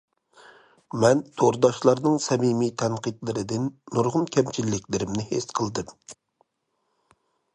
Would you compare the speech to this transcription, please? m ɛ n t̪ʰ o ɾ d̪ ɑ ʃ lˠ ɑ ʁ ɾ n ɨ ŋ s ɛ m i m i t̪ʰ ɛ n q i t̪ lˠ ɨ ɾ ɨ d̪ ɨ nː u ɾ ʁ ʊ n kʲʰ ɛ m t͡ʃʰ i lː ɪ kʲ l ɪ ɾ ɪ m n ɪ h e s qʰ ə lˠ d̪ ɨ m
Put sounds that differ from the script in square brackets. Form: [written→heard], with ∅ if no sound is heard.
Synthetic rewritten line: m ɛ n t̪ʰ o ɾ d̪ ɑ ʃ lˠ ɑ [ʁ→∅] ɾ n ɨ ŋ s ɛ m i m i t̪ʰ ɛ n q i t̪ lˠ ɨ ɾ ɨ d̪ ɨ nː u ɾ ʁ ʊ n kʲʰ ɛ m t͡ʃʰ i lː ɪ kʲ l ɪ ɾ ɪ m n ɪ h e s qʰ ə lˠ d̪ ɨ m